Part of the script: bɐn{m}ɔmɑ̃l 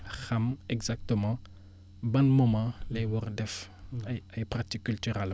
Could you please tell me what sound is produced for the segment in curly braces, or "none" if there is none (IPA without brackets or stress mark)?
m